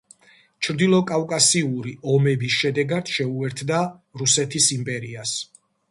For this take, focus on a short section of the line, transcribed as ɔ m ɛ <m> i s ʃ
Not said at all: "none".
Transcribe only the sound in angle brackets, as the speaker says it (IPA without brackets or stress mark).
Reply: b